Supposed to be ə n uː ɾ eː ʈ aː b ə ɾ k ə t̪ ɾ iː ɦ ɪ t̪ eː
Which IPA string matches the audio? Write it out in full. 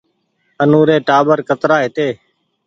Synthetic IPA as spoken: ə n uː ɾ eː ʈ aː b ə ɾ k ə t̪ ɾ aː ɦ ɪ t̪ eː